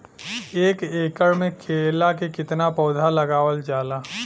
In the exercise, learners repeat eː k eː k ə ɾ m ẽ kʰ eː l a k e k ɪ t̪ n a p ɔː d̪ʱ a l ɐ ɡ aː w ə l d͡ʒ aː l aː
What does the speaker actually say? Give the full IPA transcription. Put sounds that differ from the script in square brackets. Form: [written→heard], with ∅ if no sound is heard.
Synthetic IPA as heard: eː k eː k ə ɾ m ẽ kʰ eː l a k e k ɪ t̪ n a p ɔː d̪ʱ a l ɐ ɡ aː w ə l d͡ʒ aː l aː

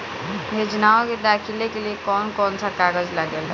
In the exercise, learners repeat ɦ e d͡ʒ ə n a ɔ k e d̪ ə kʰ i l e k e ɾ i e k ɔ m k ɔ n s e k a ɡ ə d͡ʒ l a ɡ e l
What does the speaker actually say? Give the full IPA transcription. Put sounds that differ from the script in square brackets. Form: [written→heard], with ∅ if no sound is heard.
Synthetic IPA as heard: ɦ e d͡ʒ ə n a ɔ k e d̪ [ə→a] kʰ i l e k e [ɾ→l] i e k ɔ [m→n] k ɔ n s [e→a] k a ɡ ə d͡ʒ l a ɡ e l

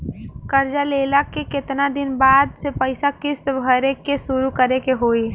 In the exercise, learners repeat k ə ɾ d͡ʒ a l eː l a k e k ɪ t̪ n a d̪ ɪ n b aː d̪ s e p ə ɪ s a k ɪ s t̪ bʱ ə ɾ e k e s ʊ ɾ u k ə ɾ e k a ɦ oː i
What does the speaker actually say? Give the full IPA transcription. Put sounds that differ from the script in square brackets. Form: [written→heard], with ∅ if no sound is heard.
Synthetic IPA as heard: k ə ɾ d͡ʒ a l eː l a k e k ɪ t̪ n a d̪ ɪ n b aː d̪ s e p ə ɪ s a k ɪ s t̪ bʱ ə ɾ e k e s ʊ ɾ u k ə ɾ e k [a→e] ɦ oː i

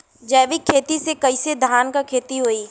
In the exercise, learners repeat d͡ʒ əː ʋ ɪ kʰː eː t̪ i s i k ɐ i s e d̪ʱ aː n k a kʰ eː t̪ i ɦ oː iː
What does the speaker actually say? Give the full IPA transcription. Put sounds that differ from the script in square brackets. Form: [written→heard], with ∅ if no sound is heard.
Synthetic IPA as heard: d͡ʒ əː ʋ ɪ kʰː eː t̪ i s [i→e] k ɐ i s e d̪ʱ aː n k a kʰ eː t̪ i ɦ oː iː

